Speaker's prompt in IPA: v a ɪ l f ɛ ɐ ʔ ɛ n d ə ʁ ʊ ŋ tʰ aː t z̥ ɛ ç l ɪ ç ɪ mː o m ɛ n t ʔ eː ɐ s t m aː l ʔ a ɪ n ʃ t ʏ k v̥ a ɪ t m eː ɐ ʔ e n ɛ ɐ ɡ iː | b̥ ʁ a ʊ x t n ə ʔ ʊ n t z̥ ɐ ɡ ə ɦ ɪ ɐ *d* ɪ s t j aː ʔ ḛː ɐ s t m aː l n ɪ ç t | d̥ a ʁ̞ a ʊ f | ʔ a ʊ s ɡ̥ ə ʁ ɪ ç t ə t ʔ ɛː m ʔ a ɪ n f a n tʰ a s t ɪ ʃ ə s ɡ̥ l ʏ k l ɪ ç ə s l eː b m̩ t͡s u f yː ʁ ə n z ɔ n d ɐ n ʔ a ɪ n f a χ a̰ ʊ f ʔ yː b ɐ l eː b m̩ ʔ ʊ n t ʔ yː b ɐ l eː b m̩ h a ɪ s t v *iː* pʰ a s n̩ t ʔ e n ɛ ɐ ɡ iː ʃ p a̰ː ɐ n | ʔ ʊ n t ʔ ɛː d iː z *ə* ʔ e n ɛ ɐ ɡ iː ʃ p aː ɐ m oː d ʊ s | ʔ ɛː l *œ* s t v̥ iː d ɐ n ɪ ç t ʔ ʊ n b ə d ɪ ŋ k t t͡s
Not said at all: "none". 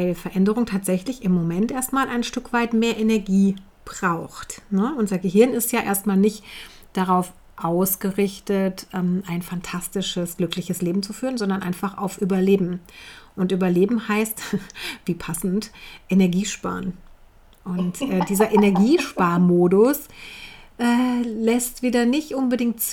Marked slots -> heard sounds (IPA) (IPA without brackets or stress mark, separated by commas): n, iː, ɐ, ɛ